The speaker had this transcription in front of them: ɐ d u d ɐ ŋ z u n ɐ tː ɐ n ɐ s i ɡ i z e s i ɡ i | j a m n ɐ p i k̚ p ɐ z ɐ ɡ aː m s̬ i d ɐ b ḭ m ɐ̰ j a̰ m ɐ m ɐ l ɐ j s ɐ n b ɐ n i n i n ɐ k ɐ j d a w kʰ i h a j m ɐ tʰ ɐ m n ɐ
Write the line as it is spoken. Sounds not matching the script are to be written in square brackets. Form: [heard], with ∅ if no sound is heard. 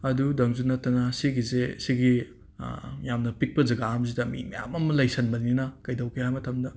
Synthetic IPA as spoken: ɐ d u d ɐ ŋ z u n ɐ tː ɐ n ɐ s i ɡ i z e s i ɡ i | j a m n ɐ p i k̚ p ɐ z ɐ ɡ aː m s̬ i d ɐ [m] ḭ m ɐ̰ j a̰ m ɐ m ɐ l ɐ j s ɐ n b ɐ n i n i n ɐ k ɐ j d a w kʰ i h a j m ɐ tʰ ɐ m [d] ɐ